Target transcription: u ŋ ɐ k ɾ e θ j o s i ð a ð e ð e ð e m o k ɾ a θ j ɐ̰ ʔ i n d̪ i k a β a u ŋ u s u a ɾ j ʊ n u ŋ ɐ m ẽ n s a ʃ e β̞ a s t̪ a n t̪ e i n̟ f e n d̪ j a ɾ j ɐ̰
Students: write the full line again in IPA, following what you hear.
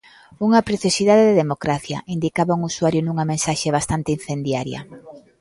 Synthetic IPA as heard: u ŋ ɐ p ɾ e θ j o s i ð a ð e ð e ð e m o k ɾ a θ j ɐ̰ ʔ i n d̪ i k a β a u ŋ u s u a ɾ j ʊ n u ŋ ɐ m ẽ n s a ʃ e β̞ a s t̪ a n t̪ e i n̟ θ e n d̪ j a ɾ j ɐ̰

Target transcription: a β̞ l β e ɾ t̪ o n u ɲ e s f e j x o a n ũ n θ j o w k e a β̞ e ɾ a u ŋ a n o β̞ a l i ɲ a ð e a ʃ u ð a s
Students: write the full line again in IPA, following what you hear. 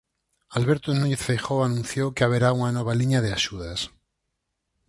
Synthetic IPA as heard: a l β e ɾ t̪ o n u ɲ e θ f e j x o a n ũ n θ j o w k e a β̞ e ɾ a u ŋ a n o β̞ a l i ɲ a ð e a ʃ u ð a s

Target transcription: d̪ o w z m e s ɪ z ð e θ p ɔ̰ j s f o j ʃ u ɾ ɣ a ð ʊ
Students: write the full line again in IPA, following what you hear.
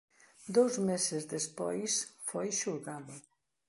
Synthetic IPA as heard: d̪ o w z m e s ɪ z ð e s p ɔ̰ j s f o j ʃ u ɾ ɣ a ð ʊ

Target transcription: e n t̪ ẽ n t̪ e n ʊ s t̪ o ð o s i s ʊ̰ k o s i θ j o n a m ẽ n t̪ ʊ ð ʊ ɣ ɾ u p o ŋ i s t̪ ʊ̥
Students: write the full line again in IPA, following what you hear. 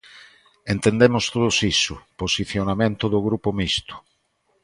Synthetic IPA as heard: e n t̪ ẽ n d̪ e m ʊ s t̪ o ð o s i s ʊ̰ p o s i θ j o n a m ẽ n t̪ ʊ ð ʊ ɣ ɾ u p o m i s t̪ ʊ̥

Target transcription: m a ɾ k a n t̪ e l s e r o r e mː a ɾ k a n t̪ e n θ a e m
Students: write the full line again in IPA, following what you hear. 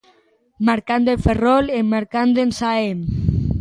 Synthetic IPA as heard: m a ɾ k a n d̪ e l f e r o l e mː a ɾ k a n d̪ e n s a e m

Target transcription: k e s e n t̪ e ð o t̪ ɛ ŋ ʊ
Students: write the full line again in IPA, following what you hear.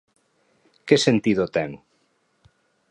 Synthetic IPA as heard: k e s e n t̪ i ð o t̪ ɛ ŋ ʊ

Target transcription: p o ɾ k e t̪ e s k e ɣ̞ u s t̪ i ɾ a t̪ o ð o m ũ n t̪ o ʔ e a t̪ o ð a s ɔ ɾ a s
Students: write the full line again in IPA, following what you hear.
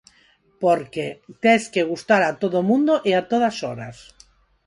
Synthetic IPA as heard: p o ɾ k e t̪ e s k e ɣ̞ u s t̪ a ɾ a t̪ o ð o m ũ n d̪ o ʔ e a t̪ o ð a s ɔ ɾ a s

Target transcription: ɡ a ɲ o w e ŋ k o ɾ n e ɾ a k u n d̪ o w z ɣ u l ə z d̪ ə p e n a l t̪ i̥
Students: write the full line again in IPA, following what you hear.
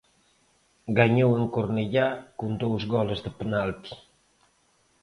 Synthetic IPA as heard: ɡ a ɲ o w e ŋ k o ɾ n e ʎ a k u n d̪ o w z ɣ ɔ l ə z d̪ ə p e n a l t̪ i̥

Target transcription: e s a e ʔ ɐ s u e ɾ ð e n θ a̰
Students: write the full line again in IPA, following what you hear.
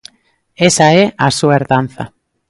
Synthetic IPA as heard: e s a e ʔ a s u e ɾ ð a n θ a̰

